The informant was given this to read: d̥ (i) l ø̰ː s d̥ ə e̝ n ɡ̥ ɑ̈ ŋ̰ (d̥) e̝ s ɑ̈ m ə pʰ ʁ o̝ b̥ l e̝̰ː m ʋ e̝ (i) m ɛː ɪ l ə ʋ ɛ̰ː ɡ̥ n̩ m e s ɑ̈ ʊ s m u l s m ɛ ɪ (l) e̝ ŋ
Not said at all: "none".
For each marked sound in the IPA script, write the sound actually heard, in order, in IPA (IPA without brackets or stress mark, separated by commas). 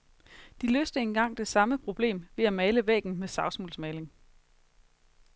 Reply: i, d̥, æ, l